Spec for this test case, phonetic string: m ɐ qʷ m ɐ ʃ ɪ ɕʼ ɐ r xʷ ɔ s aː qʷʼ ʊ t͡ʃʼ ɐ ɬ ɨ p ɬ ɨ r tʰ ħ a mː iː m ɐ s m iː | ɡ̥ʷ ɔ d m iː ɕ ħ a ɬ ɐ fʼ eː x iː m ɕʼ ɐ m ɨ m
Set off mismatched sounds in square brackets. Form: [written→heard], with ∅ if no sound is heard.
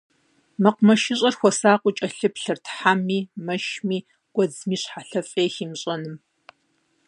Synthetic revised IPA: m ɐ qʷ m ɐ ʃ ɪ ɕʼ ɐ r xʷ ɔ s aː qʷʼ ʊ t͡ʃʼ ɐ ɬ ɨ p ɬ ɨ r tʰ ħ a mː iː m ɐ [s→ʃ] m iː | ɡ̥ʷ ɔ [d→d͡z] m iː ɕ ħ a ɬ ɐ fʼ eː x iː m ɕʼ ɐ [m→n] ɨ m